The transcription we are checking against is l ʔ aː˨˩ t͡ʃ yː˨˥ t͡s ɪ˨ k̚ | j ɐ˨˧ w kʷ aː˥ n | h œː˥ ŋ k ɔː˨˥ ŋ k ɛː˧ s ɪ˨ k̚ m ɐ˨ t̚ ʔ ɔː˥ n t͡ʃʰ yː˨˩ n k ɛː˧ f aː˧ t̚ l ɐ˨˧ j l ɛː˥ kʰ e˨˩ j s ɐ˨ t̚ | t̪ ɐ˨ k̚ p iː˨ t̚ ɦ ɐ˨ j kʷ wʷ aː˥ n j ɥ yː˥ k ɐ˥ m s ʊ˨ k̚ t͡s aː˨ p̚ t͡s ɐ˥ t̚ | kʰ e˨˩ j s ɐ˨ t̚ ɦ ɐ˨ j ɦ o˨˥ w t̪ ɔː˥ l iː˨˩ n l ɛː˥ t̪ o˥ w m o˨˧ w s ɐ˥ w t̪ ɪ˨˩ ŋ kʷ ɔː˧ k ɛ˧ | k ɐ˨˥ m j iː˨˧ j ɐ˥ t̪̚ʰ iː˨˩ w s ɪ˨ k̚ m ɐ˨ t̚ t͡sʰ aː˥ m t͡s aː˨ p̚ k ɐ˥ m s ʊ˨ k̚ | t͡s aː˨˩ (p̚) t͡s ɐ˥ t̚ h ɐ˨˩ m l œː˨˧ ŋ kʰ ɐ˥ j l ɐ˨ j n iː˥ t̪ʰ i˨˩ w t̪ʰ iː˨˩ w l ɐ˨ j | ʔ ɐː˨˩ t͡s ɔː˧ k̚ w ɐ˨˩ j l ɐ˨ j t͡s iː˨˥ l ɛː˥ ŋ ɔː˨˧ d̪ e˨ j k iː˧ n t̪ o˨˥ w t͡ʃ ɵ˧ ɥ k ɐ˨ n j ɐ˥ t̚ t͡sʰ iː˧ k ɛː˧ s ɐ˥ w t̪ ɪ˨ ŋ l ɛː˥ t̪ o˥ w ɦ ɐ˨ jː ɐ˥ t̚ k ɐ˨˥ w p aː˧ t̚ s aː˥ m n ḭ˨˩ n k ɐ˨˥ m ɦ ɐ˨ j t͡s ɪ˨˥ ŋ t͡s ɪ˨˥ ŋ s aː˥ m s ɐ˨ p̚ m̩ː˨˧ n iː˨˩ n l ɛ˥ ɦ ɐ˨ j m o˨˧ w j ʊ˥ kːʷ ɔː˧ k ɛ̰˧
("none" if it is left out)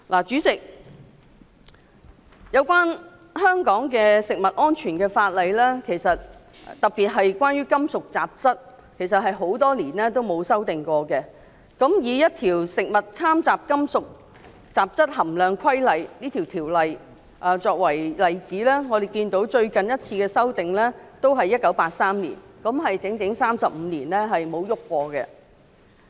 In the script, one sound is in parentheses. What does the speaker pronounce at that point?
p̚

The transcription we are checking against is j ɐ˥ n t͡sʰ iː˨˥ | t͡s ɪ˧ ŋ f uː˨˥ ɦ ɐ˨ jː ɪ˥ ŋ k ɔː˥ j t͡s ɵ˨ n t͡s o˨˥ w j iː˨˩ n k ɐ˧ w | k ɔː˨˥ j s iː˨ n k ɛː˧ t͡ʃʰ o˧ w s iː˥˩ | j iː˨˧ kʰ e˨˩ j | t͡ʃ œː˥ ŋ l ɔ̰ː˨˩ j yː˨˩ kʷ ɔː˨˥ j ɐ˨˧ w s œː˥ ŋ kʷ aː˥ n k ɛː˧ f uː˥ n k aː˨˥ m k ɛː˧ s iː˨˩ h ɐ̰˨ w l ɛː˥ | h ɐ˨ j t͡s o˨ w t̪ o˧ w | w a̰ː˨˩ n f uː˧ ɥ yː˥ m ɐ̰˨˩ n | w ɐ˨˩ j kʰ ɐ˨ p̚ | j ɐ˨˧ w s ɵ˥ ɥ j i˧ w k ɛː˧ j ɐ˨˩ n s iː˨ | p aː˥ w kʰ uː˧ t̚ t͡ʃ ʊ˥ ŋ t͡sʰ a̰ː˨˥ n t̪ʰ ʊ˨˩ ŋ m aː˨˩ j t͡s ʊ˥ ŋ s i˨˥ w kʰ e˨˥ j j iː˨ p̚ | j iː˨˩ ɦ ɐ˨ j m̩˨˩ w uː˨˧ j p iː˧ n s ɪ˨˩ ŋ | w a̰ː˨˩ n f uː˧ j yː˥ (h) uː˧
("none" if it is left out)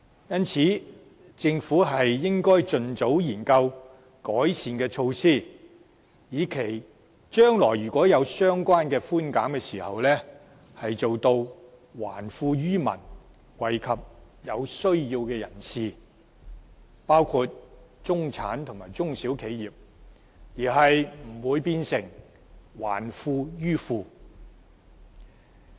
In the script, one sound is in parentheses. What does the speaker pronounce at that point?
f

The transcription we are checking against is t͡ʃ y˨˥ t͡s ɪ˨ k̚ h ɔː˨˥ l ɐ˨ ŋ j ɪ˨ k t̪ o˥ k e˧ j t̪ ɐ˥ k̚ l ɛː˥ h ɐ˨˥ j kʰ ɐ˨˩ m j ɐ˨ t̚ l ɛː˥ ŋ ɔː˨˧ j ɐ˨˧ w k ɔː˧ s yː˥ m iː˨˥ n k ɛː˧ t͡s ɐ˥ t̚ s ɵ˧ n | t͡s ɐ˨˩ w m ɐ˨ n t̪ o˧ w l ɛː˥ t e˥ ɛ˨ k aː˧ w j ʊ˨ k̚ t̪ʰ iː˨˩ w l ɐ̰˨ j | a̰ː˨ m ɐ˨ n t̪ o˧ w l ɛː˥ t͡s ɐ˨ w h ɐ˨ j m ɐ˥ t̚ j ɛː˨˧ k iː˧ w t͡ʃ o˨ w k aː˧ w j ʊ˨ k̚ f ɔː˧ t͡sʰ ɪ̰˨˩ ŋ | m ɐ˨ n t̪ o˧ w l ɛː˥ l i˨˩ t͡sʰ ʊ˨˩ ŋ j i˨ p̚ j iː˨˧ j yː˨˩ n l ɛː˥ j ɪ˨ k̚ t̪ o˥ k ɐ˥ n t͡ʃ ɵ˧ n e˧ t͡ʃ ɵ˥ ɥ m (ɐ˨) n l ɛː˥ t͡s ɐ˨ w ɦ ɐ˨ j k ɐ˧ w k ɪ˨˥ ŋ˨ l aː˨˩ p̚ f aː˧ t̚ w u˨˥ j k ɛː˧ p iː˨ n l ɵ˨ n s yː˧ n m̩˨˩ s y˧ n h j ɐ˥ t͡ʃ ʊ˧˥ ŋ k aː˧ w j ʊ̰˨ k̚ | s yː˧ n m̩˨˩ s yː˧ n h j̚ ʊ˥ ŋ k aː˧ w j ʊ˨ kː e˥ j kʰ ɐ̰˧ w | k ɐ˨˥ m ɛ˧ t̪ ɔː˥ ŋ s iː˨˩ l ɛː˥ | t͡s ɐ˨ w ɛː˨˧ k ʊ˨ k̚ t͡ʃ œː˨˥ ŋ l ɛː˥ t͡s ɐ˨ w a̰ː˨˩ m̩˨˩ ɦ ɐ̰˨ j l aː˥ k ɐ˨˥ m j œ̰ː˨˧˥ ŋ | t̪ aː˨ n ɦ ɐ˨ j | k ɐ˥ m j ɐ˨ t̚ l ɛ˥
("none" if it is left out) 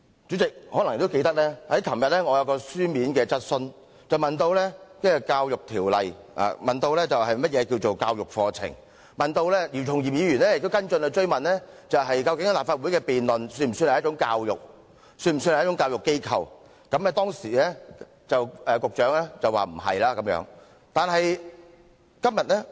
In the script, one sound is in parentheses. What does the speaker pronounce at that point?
ɐ˨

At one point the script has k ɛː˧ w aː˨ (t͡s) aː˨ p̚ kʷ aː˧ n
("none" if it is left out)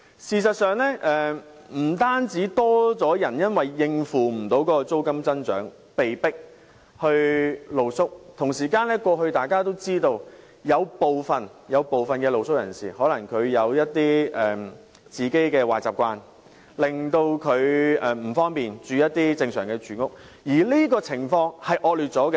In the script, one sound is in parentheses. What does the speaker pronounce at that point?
t͡s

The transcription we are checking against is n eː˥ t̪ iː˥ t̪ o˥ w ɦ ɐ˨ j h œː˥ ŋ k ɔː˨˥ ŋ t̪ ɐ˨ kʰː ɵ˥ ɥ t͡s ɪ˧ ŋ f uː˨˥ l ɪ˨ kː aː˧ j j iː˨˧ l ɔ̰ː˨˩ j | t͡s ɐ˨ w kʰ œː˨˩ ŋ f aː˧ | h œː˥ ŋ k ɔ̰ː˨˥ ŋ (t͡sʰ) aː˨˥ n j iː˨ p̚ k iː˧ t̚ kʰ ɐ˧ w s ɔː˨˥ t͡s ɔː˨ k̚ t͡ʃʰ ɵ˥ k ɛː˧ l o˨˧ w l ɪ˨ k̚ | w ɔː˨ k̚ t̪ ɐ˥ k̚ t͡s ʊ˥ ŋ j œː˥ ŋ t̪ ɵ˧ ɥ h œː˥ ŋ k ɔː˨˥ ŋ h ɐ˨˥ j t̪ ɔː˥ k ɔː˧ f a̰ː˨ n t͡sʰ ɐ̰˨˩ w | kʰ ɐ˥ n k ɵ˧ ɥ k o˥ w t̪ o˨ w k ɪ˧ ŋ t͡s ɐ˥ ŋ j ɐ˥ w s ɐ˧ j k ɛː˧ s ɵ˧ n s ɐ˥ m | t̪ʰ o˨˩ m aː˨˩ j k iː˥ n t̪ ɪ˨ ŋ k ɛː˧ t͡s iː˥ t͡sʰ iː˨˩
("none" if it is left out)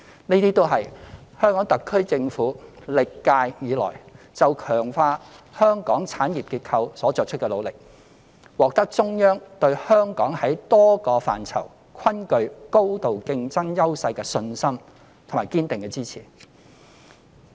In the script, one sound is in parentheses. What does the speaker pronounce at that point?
t͡sʰ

